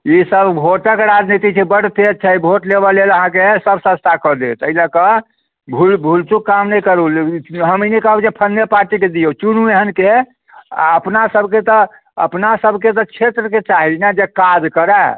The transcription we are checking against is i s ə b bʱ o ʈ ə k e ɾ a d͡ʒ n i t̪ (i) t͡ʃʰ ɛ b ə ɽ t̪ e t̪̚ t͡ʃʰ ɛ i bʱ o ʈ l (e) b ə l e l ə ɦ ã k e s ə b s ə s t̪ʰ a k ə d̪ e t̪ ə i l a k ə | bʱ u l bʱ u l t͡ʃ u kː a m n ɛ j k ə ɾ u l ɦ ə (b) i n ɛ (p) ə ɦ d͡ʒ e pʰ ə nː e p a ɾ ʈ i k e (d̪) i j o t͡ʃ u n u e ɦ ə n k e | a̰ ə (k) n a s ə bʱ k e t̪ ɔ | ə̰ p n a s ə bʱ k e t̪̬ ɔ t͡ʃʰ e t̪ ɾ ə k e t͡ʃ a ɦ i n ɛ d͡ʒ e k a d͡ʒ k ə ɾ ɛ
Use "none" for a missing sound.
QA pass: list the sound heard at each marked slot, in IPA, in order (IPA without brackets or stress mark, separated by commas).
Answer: i, e, m, k, d̪, p